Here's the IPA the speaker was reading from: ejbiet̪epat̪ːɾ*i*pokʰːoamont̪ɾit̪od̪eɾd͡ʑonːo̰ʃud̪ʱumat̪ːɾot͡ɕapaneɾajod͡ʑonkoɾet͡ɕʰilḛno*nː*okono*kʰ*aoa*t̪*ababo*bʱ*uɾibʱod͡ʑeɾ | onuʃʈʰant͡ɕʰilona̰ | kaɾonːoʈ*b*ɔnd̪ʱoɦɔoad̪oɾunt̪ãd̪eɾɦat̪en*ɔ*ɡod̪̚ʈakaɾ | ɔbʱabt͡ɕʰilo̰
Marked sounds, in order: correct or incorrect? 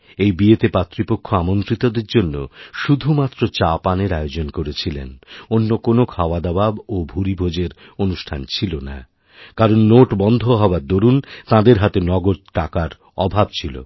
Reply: correct, correct, correct, incorrect, correct, correct, correct

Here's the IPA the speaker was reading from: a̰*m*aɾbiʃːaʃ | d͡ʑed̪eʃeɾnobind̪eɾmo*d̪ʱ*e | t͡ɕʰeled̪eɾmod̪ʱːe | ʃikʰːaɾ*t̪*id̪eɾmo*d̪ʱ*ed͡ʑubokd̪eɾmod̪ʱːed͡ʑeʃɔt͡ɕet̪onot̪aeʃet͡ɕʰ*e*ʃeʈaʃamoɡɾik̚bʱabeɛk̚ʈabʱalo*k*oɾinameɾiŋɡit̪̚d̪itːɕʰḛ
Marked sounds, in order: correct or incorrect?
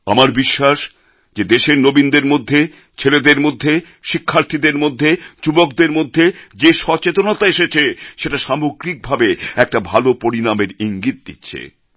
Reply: correct, incorrect, incorrect, incorrect, correct, incorrect

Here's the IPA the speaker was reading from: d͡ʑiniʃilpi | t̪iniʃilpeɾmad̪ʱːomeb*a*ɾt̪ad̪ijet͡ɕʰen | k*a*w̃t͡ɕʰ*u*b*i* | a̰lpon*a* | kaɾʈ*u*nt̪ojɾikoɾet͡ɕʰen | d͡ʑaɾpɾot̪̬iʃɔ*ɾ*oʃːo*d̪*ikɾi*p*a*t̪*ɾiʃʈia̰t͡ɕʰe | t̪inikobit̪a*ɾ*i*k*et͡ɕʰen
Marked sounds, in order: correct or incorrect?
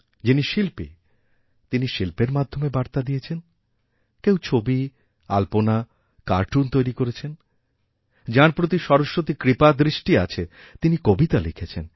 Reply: correct, incorrect, incorrect, correct, correct, correct, correct, incorrect, correct, incorrect, incorrect, incorrect

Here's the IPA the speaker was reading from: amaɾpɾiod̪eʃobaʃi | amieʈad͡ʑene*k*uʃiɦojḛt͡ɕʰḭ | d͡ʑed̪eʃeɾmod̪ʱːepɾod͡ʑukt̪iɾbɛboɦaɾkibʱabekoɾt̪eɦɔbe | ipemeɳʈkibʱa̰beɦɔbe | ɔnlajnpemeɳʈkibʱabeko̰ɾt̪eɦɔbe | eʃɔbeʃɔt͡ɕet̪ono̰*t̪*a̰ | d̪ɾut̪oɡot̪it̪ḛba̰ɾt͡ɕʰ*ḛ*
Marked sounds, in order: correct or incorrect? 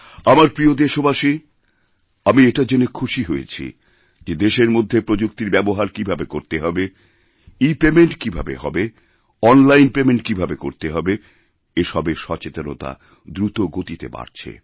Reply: incorrect, correct, correct

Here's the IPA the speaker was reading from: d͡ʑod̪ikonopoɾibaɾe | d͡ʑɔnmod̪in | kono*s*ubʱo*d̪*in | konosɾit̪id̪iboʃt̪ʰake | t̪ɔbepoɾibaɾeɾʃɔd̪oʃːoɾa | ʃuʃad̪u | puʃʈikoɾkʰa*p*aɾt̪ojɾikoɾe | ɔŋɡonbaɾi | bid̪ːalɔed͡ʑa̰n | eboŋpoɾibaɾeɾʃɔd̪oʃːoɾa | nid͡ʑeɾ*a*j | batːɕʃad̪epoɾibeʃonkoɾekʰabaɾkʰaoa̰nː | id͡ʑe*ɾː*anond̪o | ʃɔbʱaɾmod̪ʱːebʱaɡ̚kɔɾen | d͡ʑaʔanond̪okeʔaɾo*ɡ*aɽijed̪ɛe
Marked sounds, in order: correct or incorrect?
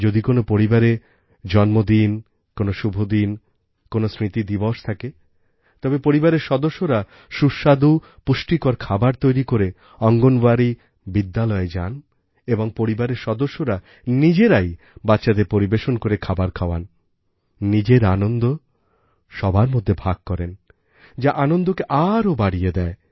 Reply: incorrect, correct, incorrect, correct, incorrect, incorrect

